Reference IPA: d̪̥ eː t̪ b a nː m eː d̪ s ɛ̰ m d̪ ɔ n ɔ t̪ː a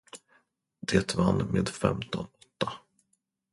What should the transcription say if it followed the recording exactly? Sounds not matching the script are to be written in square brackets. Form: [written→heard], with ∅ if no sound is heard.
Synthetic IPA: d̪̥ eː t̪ [b→v] a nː m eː d̪ [s→f] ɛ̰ m [d̪→t̪] ɔ n ɔ t̪ː a

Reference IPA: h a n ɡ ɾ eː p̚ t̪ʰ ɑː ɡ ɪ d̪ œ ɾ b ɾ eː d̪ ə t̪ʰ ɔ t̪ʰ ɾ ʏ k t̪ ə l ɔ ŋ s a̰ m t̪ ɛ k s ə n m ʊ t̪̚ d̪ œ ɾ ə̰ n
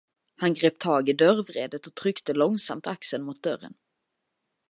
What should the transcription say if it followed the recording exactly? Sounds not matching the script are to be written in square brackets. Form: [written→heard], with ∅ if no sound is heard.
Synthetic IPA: h a n ɡ ɾ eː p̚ t̪ʰ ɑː ɡ ɪ d̪ œ ɾ [b→v] ɾ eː d̪ ə [t̪ʰ→t̪] ɔ t̪ʰ ɾ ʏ k t̪ ə l ɔ ŋ s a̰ m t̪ [ɛ→a] k s ə n m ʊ t̪̚ d̪ œ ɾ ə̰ n

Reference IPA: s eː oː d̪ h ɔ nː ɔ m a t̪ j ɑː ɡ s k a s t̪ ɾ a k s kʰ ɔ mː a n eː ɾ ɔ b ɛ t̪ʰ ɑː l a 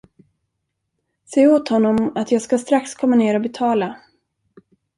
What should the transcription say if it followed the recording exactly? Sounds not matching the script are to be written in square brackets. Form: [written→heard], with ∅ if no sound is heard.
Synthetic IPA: s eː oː [d̪→t̪] h ɔ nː ɔ m a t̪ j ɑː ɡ s k a s t̪ ɾ a k s kʰ ɔ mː a n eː ɾ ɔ b ɛ t̪ʰ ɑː l a

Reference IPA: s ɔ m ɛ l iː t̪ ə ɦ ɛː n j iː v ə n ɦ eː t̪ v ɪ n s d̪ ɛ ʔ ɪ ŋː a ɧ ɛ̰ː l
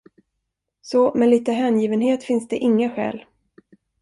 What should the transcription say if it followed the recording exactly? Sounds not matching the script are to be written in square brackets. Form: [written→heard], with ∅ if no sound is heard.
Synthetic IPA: s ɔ m ɛ l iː t̪ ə ɦ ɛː n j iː v ə n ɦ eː t̪ [v→f] ɪ n s d̪ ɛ ʔ ɪ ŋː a ɧ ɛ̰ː l

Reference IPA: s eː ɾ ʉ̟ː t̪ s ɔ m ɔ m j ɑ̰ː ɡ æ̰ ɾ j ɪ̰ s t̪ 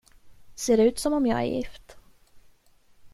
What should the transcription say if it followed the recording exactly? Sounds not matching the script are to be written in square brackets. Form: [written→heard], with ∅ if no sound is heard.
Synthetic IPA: s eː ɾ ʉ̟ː t̪ s ɔ m ɔ m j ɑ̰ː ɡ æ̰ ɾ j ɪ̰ [s→f] t̪

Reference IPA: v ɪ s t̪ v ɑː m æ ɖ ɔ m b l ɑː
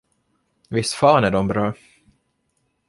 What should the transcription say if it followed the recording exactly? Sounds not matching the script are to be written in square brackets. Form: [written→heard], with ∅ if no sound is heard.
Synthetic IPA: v ɪ s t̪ [v→f] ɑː [m→n] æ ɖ ɔ m b [l→ɾ] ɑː

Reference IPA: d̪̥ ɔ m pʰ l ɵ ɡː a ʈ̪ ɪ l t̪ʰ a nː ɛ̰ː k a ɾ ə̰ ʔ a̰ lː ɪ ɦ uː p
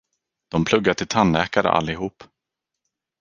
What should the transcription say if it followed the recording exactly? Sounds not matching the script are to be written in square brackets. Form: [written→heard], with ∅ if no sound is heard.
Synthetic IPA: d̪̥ ɔ m pʰ l ɵ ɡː a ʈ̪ ɪ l t̪ʰ a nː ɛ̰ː k a ɾ ə̰ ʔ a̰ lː ɪ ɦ uː p

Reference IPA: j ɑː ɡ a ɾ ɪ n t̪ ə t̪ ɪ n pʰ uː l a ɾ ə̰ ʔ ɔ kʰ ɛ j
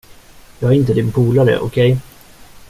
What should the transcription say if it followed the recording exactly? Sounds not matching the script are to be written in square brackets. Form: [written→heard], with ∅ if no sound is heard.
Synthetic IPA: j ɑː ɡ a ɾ ɪ n t̪ ə [t̪→d̪] ɪ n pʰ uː l a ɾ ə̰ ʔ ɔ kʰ ɛ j

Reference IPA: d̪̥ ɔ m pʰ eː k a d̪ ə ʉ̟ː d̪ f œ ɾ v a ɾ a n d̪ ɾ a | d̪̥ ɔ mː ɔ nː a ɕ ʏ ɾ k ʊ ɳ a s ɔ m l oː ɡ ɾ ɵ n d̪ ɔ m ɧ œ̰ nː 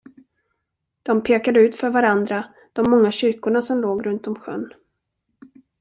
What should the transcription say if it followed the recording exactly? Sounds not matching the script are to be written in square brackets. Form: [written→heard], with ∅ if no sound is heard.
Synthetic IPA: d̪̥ ɔ m pʰ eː k a d̪ ə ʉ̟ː [d̪→t̪] f œ ɾ v a ɾ a n d̪ ɾ a | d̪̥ ɔ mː ɔ [nː→ŋː] a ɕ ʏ ɾ k ʊ ɳ a s ɔ m l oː ɡ ɾ ɵ n [d̪→t̪] ɔ m ɧ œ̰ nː

